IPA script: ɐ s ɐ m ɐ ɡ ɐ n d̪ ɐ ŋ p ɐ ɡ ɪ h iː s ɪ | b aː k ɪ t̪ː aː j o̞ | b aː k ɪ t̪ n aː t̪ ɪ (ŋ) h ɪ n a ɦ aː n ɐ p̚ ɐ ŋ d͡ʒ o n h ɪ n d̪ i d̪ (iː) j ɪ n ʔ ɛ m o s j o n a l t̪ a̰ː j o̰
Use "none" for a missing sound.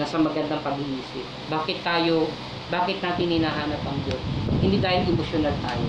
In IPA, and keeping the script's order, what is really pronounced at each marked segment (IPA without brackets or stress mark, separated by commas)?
n, aː